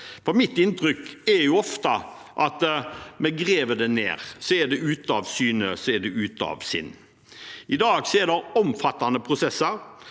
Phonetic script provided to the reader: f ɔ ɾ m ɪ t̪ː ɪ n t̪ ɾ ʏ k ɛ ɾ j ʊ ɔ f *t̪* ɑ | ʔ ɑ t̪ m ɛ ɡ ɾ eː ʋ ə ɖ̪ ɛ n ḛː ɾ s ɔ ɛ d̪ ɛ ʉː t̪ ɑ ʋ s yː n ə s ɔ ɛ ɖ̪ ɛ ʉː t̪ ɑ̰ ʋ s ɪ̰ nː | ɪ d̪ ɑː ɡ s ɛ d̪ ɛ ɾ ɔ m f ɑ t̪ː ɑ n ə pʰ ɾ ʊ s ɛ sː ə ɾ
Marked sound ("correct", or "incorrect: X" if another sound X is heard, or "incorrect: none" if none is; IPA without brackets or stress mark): correct